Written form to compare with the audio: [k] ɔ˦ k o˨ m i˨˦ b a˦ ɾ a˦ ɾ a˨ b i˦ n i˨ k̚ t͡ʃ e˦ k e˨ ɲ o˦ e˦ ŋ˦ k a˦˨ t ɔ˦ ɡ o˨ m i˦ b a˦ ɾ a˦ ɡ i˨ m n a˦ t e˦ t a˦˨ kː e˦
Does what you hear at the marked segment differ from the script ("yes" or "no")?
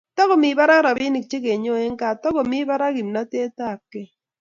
yes